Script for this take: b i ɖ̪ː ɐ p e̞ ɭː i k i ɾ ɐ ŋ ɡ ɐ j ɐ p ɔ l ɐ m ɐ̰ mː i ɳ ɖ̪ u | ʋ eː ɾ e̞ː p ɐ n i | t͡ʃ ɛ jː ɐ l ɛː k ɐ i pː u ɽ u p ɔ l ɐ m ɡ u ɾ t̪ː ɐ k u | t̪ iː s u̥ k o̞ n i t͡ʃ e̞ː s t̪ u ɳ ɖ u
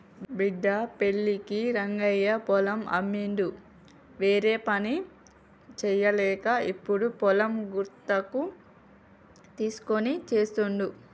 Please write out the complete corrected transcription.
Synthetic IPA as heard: b i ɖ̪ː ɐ p e̞ ɭː i k i ɾ ɐ ŋ ɡ ɐ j ɐ p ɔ l ɐ m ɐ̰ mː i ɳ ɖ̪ u | ʋ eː ɾ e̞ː p ɐ n i | t͡ʃ ɛ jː ɐ l ɛː k ɐ i pː u ɽ u p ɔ l ɐ m ɡ u ɾ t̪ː ɐ k u | t̪ iː s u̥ k o̞ n i t͡ʃ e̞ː s t̪ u ɳ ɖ u